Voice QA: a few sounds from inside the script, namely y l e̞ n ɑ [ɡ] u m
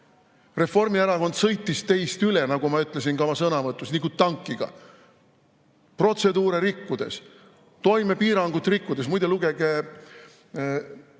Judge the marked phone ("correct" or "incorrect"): correct